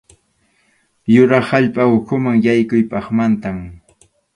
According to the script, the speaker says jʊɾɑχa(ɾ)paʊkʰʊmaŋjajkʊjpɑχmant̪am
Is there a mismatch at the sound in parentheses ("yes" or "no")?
yes